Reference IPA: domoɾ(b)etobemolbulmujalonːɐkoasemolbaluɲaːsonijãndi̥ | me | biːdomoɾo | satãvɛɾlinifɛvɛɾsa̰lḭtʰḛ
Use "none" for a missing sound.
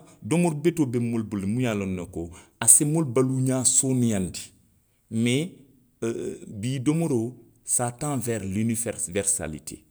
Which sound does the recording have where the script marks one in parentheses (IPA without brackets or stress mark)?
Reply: b